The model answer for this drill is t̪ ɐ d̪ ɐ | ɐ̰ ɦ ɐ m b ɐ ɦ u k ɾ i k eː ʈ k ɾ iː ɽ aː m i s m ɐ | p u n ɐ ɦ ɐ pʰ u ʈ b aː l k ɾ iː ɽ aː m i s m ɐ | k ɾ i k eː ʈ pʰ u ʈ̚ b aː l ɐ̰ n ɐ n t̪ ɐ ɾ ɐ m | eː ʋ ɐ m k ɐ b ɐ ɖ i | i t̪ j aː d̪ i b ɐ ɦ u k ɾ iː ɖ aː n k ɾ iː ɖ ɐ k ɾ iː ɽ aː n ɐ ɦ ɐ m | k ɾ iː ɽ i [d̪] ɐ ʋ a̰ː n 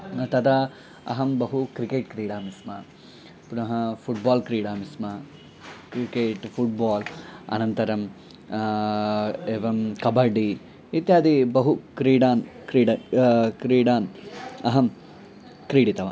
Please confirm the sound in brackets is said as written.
no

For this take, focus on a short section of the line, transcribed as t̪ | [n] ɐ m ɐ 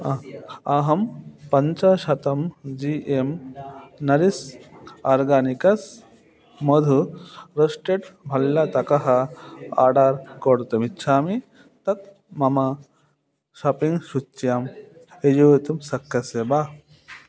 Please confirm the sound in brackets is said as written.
no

